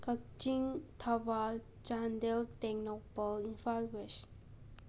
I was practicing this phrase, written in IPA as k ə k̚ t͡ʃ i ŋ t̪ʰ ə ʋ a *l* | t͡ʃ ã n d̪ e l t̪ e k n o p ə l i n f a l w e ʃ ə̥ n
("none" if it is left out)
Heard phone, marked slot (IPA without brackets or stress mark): l